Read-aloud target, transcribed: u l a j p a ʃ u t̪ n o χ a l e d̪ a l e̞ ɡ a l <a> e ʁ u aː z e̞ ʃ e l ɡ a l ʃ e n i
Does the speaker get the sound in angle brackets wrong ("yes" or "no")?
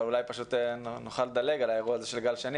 no